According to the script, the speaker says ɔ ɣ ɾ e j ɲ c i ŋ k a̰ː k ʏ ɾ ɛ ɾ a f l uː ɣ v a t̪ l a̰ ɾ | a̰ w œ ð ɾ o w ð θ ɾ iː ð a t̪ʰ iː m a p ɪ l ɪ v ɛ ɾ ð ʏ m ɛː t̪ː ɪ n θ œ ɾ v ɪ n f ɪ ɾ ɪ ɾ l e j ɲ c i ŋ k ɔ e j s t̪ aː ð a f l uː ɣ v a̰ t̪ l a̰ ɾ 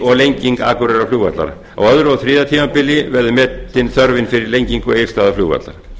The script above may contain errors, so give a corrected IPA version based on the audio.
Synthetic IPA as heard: ɔ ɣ l e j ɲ c i ŋ k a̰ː k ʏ ɾ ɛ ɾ a f l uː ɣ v a t̪ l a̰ ɾ | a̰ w œ ð ɾ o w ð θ ɾ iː ð a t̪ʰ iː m a p ɪ l ɪ v ɛ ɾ ð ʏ m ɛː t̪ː ɪ n θ œ ɾ v ɪ n f ɪ ɾ ɪ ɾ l e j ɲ c i ŋ k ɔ e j s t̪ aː ð a f l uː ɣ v a̰ t̪ l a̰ ɾ